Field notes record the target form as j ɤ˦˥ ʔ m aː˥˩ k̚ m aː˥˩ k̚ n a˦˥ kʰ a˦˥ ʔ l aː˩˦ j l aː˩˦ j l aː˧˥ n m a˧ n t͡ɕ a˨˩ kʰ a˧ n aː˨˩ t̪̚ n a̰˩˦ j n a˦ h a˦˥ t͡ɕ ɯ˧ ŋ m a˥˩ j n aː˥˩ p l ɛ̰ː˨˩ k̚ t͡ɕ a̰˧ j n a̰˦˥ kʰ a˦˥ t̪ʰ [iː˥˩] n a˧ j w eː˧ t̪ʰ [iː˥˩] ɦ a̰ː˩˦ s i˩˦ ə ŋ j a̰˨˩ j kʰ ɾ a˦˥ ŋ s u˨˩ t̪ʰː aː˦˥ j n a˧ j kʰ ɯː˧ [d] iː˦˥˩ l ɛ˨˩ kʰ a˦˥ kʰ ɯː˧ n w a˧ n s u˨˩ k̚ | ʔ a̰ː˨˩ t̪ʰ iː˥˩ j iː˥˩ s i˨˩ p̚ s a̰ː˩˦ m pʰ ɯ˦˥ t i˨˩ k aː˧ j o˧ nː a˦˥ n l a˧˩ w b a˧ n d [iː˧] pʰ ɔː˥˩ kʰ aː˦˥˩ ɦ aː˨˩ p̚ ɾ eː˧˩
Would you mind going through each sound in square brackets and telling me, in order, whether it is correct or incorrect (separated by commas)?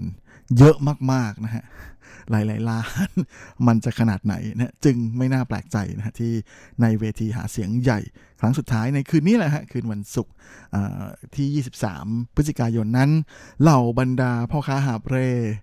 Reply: correct, incorrect, incorrect, incorrect